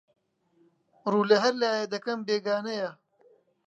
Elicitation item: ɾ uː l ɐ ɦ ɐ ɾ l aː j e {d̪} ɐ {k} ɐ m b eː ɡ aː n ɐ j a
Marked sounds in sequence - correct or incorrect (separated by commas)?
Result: correct, correct